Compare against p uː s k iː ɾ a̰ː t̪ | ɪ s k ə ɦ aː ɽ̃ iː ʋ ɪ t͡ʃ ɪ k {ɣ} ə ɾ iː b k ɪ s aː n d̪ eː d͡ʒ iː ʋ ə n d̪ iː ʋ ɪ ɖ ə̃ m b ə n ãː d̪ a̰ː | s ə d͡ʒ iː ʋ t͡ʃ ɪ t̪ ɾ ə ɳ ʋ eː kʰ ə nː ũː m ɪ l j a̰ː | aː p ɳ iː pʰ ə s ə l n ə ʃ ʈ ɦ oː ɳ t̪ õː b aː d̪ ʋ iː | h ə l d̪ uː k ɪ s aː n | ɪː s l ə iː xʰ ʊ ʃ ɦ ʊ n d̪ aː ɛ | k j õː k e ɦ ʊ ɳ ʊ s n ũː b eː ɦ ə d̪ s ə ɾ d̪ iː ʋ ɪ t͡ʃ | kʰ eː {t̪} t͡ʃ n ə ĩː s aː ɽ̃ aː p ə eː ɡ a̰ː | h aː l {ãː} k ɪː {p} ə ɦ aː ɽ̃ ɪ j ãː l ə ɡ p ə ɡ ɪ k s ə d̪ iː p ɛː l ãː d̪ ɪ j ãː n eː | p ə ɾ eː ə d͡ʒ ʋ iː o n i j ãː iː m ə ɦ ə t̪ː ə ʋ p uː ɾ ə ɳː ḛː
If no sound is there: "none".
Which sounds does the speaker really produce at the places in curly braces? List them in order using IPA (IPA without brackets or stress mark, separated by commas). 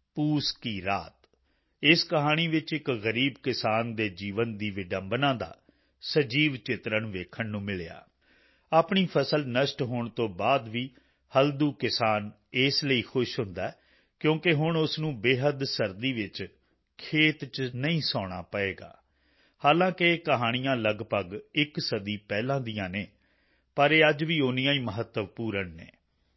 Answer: ɣ, t̪, ãː, k